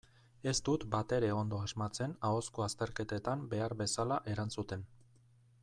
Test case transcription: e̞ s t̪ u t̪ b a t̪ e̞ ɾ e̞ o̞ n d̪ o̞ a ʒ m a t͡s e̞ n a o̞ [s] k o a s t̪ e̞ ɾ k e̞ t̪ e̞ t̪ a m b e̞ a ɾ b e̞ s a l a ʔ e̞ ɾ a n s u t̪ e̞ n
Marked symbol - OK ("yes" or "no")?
yes